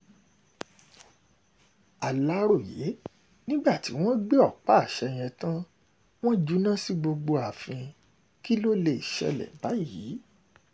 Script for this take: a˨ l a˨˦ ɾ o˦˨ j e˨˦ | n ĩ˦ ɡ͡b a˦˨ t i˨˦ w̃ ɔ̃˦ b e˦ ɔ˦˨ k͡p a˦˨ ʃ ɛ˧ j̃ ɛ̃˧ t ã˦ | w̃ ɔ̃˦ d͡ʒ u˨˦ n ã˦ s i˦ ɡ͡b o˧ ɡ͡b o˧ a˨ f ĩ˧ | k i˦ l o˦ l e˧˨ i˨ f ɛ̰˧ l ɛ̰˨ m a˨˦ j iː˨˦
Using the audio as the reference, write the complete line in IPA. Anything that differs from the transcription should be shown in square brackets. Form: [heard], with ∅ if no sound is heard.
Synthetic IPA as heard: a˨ l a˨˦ ɾ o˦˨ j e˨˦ | n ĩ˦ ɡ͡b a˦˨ t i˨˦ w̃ ɔ̃˦ [ɡ͡b] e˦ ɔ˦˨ k͡p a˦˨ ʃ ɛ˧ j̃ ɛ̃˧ t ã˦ | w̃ ɔ̃˦ d͡ʒ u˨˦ n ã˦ s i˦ ɡ͡b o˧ ɡ͡b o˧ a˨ f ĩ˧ | k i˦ l o˦ l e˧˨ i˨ [ʃ] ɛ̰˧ l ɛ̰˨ [b] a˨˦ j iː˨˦